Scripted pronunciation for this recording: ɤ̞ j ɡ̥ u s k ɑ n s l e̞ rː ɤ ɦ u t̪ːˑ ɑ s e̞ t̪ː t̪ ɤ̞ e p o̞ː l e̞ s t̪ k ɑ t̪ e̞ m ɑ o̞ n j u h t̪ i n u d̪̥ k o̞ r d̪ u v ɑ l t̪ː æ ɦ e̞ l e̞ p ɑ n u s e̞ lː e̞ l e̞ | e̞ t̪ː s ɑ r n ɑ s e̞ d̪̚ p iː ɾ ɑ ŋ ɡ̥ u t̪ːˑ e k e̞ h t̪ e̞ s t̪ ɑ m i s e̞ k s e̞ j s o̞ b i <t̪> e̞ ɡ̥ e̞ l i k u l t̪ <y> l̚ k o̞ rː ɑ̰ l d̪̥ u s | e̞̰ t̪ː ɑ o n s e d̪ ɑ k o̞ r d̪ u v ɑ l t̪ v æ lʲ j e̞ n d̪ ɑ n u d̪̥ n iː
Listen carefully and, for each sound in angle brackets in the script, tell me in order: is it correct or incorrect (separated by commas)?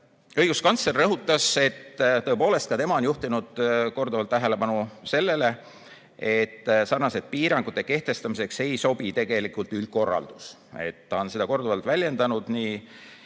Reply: correct, correct